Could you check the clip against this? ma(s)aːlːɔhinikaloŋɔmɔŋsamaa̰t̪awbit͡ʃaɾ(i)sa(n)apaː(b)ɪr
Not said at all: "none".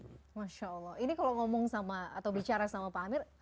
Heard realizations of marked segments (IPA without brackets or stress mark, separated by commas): ʃ, a, m, m